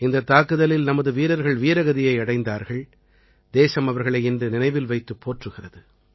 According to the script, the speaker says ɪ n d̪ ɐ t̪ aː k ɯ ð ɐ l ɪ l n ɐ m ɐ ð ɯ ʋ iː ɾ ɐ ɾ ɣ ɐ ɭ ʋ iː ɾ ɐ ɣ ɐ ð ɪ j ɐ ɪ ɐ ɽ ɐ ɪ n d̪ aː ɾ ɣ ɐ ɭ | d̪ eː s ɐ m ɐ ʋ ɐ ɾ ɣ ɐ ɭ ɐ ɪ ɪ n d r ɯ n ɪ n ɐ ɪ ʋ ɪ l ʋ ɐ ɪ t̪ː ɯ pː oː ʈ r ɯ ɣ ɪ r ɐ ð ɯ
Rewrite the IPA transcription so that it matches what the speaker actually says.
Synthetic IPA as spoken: ɪ n d̪ ɐ t̪ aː k ɯ ð ɐ l ɪ l n ɐ m ɐ ð ɯ ʋ iː ɾ ɐ ɾ ɣ ɐ ɭ ʋ iː ɾ ɐ ɣ ɐ ð ɪ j ɐ ɪ ɐ ɽ ɐ ɪ n d̪ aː ɾ ɣ ɐ ɭ | d̪ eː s ɐ m ɐ ʋ ɐ ɾ ɣ ɐ ɭ ɐ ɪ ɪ n d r ɯ n ɪ n ɐ ɪ ʋ ɪ l ʋ ɐ ɪ t̪ː ɯ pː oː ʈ r ɯ ɣ ɪ r ɐ ð ɯ